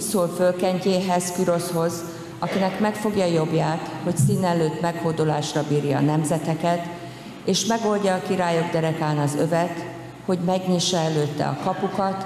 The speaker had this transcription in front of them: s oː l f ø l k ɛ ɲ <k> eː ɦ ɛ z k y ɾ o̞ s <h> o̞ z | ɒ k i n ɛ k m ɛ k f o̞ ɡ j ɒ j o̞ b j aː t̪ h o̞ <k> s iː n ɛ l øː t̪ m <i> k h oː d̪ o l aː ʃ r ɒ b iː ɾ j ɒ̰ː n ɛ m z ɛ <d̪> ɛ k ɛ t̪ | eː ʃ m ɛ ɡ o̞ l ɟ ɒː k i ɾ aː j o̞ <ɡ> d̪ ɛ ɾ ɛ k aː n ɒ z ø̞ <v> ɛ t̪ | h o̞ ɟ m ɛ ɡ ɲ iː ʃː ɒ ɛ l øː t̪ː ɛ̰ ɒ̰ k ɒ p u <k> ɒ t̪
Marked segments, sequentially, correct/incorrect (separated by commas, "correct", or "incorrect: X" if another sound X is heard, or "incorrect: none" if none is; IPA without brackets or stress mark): incorrect: c, correct, incorrect: c, incorrect: ɛ, incorrect: t̪, correct, correct, correct